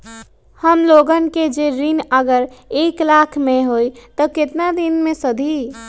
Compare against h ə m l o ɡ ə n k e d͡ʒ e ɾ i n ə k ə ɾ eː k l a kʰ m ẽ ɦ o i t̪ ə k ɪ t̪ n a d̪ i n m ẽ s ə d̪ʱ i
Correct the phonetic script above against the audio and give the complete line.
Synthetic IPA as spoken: h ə m l o ɡ ə n k e d͡ʒ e ɾ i n ə ɡ ə ɾ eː k l a kʰ m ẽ ɦ o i t̪ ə k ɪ t̪ n a d̪ i n m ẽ s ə d̪ʱ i